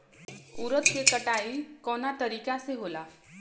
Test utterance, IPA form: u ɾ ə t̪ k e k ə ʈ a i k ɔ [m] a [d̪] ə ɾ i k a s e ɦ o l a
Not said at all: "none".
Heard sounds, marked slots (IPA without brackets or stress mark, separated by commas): n, t̪